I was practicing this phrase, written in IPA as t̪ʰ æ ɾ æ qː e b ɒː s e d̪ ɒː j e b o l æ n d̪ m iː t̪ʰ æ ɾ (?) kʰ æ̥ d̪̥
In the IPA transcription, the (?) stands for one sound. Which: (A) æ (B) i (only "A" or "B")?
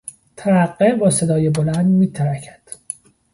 A